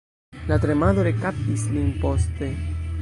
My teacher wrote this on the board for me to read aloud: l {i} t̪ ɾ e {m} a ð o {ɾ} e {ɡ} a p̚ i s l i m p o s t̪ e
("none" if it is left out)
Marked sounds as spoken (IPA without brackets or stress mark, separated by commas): a, m, ɾ, k